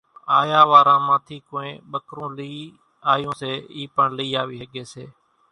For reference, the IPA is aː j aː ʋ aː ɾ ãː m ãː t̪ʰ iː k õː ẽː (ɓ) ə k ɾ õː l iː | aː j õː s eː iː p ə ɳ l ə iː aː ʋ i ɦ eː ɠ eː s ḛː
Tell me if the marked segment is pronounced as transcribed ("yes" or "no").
yes